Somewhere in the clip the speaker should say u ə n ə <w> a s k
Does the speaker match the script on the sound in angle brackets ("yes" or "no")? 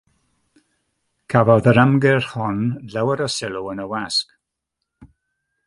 yes